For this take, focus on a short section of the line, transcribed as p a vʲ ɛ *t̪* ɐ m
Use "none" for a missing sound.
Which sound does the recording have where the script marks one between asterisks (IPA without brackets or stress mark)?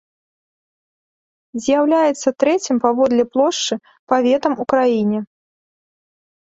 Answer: t̪